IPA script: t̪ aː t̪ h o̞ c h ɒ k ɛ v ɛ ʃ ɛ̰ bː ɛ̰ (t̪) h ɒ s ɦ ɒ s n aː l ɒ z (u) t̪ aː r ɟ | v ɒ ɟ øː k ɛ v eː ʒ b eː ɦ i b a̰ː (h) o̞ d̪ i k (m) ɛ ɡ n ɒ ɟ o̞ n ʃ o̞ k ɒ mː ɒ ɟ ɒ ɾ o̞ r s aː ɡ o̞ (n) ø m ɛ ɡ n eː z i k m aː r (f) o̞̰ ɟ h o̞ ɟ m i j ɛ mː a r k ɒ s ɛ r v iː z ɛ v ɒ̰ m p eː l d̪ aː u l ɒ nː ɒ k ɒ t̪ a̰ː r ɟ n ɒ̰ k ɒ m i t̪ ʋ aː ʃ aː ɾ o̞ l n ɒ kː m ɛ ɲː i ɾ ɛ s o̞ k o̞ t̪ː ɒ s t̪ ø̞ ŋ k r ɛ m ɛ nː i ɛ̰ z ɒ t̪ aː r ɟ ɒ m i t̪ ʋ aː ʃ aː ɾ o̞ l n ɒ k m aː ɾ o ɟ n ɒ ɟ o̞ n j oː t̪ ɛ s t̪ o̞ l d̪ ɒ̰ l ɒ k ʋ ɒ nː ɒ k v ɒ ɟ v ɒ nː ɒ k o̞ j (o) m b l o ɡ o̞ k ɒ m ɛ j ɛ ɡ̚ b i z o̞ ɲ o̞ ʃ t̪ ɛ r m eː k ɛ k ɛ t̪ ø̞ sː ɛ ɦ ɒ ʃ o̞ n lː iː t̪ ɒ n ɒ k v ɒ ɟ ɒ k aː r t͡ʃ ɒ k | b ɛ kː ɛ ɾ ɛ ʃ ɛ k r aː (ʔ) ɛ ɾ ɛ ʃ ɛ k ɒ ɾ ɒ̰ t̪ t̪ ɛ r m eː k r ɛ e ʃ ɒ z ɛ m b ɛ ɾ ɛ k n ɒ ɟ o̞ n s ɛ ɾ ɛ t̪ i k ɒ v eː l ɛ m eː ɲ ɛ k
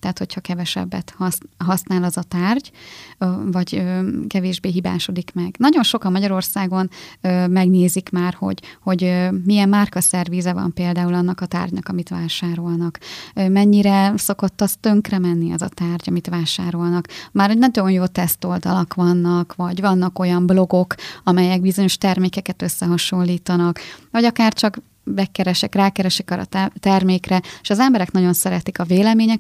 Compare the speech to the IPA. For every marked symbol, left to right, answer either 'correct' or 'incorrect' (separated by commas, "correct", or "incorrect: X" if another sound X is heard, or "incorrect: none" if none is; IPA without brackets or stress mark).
correct, incorrect: ɒ, incorrect: ʃ, correct, correct, incorrect: h, incorrect: ɒ, incorrect: k